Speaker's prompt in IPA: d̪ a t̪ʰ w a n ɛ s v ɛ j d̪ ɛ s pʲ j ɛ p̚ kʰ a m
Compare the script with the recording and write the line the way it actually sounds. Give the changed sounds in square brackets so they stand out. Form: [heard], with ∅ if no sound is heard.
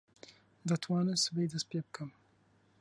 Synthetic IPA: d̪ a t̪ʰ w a n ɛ s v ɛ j d̪ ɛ s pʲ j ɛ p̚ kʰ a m